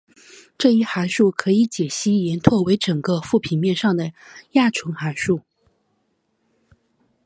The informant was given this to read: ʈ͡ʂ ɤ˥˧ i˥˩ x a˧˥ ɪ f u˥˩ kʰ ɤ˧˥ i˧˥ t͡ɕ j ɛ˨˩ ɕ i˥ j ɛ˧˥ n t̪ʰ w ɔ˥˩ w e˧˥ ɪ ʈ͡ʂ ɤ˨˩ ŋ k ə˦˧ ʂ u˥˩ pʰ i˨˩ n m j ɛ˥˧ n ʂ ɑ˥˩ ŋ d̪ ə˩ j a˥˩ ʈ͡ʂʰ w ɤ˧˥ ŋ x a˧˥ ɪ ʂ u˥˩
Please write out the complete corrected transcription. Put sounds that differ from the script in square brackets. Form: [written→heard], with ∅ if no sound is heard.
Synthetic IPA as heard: ʈ͡ʂ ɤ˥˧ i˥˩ x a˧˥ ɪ [f→ʂ] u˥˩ kʰ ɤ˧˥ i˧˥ t͡ɕ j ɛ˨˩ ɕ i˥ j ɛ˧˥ n t̪ʰ w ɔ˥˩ w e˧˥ ɪ ʈ͡ʂ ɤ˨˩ ŋ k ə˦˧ [ʂ→f] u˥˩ pʰ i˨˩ n m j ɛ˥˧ n ʂ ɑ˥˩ ŋ d̪ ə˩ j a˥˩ ʈ͡ʂʰ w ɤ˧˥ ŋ x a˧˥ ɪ ʂ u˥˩